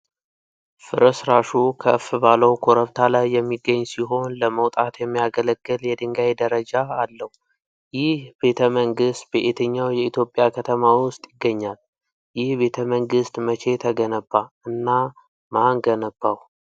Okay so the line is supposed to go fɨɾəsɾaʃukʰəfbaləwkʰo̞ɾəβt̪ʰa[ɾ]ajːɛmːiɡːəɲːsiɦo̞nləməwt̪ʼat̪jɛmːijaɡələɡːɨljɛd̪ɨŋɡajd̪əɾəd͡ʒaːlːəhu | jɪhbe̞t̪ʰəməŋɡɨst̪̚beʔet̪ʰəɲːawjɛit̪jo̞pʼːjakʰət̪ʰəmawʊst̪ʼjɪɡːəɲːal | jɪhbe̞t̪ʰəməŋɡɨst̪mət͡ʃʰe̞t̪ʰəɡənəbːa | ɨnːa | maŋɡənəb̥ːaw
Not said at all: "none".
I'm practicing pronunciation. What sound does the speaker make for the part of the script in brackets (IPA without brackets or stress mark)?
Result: l